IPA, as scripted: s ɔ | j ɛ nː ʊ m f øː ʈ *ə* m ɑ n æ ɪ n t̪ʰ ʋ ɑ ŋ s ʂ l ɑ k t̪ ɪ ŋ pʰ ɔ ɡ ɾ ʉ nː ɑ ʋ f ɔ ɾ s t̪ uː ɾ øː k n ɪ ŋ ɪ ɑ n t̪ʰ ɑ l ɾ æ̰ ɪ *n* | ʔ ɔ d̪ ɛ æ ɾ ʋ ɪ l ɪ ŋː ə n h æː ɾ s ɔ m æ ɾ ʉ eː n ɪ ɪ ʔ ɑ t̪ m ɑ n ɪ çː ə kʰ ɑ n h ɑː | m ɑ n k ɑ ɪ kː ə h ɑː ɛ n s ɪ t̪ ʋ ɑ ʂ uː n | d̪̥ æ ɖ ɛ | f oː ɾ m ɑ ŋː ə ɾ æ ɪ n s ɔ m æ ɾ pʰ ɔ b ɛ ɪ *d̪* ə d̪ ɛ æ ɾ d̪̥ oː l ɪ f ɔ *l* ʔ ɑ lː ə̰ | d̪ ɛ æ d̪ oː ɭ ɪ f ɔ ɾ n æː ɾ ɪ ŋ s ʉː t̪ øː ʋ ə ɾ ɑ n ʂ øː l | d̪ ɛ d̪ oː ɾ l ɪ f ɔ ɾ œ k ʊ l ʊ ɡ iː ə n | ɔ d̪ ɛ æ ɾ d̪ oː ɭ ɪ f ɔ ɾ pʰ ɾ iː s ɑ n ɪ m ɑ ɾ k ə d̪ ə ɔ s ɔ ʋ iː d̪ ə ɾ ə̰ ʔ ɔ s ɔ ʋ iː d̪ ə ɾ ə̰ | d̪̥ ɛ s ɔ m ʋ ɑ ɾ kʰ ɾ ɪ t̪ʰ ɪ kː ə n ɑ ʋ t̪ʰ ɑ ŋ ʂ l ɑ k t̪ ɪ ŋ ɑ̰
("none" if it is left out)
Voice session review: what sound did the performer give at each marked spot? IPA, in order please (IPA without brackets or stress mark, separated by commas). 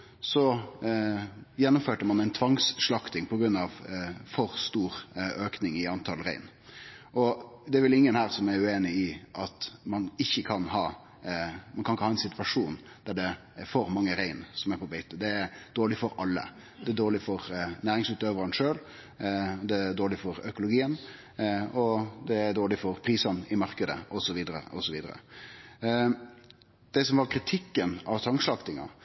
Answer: ə, n, t̪, ɾ